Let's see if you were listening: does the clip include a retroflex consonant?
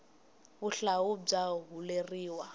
yes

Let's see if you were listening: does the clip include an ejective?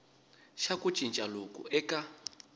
yes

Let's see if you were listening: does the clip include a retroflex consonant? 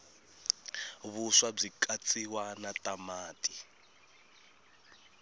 yes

